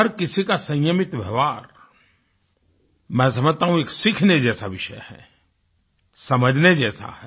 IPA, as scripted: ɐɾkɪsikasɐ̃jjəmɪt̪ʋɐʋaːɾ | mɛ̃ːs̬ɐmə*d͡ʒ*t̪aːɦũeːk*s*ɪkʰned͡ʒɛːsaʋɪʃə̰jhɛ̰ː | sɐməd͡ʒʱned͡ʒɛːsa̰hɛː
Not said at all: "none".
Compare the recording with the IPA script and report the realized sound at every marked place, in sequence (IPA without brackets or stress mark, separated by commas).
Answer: d͡ʒ, s